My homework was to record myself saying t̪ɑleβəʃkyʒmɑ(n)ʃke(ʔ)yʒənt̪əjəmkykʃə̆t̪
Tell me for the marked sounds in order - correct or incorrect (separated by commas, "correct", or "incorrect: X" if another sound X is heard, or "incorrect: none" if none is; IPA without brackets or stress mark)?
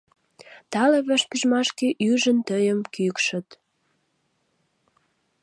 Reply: incorrect: none, correct